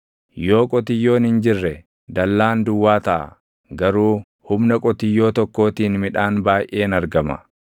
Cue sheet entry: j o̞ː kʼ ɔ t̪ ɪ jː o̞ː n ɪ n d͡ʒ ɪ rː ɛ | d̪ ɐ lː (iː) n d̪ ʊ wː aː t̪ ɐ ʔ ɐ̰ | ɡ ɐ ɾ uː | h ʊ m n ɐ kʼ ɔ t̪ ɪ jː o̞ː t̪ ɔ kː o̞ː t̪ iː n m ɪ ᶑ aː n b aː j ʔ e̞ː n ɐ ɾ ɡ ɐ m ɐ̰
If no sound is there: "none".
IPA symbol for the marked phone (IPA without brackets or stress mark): aː